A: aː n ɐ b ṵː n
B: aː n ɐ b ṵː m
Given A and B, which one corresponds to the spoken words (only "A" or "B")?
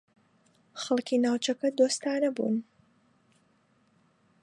A